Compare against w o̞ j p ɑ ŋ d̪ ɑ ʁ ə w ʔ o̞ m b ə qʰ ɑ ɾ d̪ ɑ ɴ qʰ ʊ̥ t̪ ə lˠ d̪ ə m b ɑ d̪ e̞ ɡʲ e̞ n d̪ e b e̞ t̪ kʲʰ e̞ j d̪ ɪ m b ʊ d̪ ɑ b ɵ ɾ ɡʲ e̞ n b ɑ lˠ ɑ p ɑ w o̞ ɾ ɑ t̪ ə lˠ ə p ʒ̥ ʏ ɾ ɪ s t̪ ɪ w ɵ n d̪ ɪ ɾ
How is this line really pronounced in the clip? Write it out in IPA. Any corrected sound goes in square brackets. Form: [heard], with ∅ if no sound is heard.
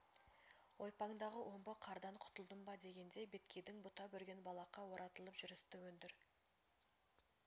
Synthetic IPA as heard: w o̞ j p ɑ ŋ d̪ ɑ ʁ ə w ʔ o̞ m b ə qʰ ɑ ɾ d̪ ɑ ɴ qʰ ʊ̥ t̪ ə lˠ d̪ ə m b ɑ d̪ e̞ ɡʲ e̞ n d̪ e b e̞ t̪ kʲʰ e̞ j d̪ ɪ [ŋ] b ʊ [t̪] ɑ b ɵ ɾ ɡʲ e̞ n b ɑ lˠ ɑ [q] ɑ w o̞ ɾ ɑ t̪ ə lˠ ə p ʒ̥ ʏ ɾ ɪ s t̪ ɪ w ɵ n d̪ ɪ ɾ

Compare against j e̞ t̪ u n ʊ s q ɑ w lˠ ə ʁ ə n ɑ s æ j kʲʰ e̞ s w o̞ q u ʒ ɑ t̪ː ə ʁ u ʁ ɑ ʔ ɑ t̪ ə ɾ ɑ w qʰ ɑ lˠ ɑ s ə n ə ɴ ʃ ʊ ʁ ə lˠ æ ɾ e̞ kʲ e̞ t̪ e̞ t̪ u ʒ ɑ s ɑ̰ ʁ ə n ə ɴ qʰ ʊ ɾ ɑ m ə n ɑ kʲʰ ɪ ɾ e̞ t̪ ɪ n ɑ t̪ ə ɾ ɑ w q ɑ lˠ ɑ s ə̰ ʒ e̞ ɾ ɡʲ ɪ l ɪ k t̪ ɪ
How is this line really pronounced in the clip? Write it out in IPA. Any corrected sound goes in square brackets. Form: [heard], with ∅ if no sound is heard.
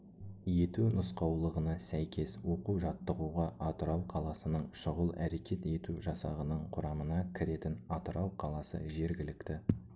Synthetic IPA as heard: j e̞ t̪ u n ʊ s q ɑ w lˠ ə ʁ ə n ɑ s æ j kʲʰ e̞ s w o̞ q u ʒ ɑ t̪ː ə ʁ u ʁ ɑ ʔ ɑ t̪ ə ɾ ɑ w qʰ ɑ lˠ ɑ s ə n ə ɴ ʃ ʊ ʁ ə lˠ æ ɾ e̞ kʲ e̞ t̪ e̞ t̪ u ʒ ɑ s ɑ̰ ʁ ə n ə ɴ qʰ ʊ ɾ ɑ m ə n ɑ kʲʰ ɪ ɾ e̞ t̪ ɪ n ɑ t̪ ə ɾ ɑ w [qʰ] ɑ lˠ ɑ s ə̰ ʒ e̞ ɾ ɡʲ ɪ l ɪ k t̪ ɪ

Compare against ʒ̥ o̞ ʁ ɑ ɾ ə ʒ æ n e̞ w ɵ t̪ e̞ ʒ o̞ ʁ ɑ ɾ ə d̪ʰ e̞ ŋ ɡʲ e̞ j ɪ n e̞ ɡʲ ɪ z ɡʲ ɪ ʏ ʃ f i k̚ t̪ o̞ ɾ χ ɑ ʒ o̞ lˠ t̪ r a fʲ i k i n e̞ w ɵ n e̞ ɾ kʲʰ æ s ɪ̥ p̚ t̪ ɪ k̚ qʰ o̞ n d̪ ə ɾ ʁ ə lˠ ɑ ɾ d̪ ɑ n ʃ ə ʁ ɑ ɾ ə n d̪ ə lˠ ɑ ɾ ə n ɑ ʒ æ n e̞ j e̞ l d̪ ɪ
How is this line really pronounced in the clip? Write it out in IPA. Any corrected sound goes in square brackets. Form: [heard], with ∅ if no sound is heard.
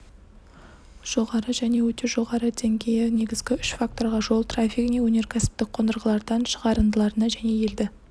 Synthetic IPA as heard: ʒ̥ o̞ ʁ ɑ ɾ ə ʒ æ n e̞ w ɵ t̪ e̞ ʒ o̞ ʁ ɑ ɾ ə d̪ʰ e̞ ŋ ɡʲ e̞ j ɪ n e̞ ɡʲ ɪ z ɡʲ ɪ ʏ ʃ f [a] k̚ t̪ o̞ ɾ [ʁ] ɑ ʒ o̞ lˠ t̪ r a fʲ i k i n e̞ w ɵ n e̞ ɾ kʲʰ æ s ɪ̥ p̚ t̪ ɪ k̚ qʰ o̞ n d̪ ə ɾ ʁ ə lˠ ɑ ɾ d̪ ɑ n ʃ ə ʁ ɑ ɾ ə n d̪ ə lˠ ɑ ɾ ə n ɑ ʒ æ n e̞ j e̞ l d̪ ɪ

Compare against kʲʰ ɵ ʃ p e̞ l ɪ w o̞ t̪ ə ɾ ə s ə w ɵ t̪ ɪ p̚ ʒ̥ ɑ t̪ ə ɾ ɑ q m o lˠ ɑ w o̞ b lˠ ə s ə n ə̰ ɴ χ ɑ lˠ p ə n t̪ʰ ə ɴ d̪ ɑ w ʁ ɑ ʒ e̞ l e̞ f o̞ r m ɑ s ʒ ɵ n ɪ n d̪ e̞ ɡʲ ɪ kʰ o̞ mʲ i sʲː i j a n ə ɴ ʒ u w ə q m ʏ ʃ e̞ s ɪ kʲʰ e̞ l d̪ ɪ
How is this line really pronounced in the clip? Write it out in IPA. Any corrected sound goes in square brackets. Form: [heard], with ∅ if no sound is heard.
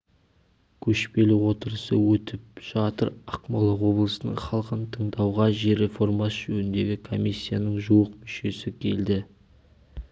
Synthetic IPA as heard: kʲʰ ɵ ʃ p e̞ l ɪ w o̞ t̪ ə ɾ ə s ə w ɵ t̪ ɪ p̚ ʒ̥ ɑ t̪ ə ɾ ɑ q m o lˠ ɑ w o̞ b lˠ ə s ə n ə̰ ɴ χ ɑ lˠ [q] ə n t̪ʰ ə ɴ d̪ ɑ w ʁ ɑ ʒ e̞ [ɾ] e̞ f o̞ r m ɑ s ʒ ɵ n ɪ n d̪ e̞ ɡʲ ɪ kʰ o̞ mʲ i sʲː i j a n ə ɴ ʒ u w ə q m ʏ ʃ e̞ s ɪ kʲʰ e̞ l d̪ ɪ

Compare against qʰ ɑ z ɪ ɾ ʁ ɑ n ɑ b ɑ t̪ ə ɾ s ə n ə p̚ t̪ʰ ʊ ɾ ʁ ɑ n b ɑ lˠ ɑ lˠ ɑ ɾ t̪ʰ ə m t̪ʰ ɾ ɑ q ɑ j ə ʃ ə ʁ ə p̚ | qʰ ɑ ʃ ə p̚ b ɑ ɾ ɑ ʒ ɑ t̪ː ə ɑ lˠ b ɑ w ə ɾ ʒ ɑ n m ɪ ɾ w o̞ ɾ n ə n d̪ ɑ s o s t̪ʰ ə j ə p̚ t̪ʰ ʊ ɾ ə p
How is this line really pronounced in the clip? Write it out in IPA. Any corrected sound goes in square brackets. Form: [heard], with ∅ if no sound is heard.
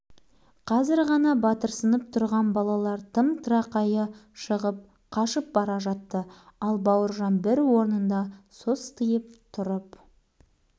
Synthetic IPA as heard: qʰ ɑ z ɪ ɾ ʁ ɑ n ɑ b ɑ t̪ ə ɾ s ə n ə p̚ t̪ʰ ʊ ɾ ʁ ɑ n b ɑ lˠ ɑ lˠ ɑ ɾ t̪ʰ ə m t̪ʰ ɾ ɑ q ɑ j ə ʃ ə ʁ ə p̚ | qʰ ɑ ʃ ə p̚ b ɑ ɾ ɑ ʒ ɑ t̪ː ə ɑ lˠ b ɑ w ə ɾ ʒ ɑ n [b] ɪ ɾ w o̞ ɾ n ə n d̪ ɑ s o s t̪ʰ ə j ə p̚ t̪ʰ ʊ ɾ ə p

